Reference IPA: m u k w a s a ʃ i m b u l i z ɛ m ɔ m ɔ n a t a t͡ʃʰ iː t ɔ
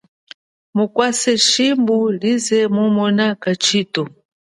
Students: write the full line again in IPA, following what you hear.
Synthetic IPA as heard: m u k w a s ɛ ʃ i m b u l i z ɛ m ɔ m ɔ n a k a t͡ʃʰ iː t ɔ